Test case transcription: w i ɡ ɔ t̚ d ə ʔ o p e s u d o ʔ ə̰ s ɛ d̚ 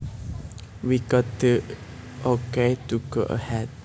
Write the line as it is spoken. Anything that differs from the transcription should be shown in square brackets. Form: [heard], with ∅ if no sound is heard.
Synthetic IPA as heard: w i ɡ ɔ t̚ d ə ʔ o [k] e [t] u [ɡ] o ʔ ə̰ [h] ɛ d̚